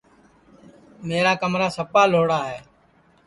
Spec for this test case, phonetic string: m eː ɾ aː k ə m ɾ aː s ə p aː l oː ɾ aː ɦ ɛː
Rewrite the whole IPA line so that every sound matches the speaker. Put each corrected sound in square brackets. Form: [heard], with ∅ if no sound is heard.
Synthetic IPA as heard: m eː ɾ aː k ə m ɾ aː s ə p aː l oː [ɽ] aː ɦ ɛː